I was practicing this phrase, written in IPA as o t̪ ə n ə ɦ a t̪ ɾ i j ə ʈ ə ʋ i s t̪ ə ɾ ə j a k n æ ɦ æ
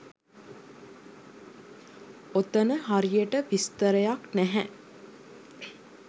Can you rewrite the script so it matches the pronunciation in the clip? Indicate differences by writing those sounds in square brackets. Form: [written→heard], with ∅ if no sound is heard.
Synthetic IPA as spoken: o t̪ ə n ə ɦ a [t̪→∅] ɾ i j ə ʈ ə ʋ i s t̪ ə ɾ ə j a k n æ ɦ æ